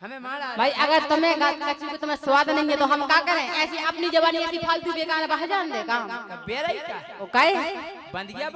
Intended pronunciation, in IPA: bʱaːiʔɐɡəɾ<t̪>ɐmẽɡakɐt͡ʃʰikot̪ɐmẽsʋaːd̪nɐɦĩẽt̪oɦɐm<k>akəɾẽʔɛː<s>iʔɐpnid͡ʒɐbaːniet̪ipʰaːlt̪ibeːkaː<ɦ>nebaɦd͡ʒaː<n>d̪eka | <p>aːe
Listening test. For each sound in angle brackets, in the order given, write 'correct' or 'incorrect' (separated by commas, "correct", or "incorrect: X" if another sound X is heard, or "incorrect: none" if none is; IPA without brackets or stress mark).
correct, correct, correct, incorrect: none, correct, incorrect: k